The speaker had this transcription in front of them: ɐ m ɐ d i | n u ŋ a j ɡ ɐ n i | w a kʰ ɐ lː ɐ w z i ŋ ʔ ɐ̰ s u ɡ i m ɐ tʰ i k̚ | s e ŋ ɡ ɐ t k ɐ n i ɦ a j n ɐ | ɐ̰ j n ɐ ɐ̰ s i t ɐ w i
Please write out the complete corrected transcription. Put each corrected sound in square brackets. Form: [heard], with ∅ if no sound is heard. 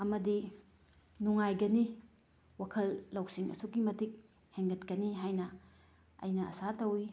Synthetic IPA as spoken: ɐ m ɐ d i | n u ŋ a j ɡ ɐ n i | w a kʰ ɐ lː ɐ w [s] i ŋ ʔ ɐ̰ s u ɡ i m ɐ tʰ i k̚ | [h] e ŋ ɡ ɐ t k ɐ n i ɦ a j n ɐ | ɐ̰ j n ɐ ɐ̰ s [a] t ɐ w i